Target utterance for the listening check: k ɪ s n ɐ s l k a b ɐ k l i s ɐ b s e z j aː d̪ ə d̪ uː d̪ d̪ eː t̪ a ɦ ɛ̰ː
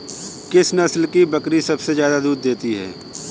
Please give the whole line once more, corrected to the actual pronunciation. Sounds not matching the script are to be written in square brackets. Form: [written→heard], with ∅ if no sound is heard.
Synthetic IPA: k ɪ s n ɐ s l k [a→i] b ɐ k [l→ɾ] i s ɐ b s e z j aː d̪ [ə→a] d̪ uː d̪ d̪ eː t̪ [a→i] ɦ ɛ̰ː